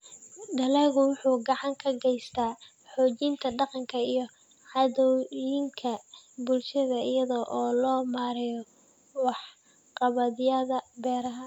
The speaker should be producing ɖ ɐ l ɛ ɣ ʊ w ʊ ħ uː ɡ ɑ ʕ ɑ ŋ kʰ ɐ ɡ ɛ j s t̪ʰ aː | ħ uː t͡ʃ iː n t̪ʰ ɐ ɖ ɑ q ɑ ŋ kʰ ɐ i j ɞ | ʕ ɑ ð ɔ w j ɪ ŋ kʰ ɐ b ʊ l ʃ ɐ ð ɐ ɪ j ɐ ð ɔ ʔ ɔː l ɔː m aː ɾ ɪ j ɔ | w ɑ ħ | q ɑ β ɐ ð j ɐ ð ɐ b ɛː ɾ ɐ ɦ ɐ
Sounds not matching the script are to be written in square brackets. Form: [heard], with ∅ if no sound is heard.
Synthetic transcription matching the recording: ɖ ɐ l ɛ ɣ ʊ w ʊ ħ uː ɡ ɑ ʕ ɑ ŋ kʰ ɐ ɡ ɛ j s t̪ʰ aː | ħ [ɔː] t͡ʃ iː n t̪ʰ ɐ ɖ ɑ q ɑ ŋ kʰ ɐ i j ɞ | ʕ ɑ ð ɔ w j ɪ ŋ kʰ ɐ b ʊ l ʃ ɐ ð ɐ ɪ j ɐ ð ɔ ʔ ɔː l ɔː m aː ɾ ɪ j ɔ | w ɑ ħ | q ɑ β ɐ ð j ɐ ð ɐ b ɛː ɾ ɐ ɦ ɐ